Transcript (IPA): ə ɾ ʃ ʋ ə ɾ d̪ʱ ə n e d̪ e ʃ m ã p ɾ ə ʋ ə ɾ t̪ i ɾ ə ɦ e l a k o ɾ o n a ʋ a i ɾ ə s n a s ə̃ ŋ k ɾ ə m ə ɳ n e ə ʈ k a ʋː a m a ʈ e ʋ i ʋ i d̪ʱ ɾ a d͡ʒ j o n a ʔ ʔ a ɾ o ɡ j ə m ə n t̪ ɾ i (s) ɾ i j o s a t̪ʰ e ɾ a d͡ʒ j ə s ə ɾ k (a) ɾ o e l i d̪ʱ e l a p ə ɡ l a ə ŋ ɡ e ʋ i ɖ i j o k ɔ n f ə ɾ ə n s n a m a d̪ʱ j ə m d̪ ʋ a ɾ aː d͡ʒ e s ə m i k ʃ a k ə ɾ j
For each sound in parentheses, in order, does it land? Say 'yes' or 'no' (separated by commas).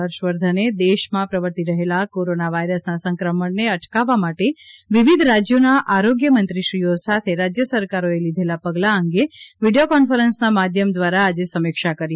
no, yes